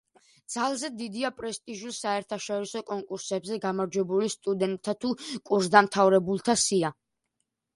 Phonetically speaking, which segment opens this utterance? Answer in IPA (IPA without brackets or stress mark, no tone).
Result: d̪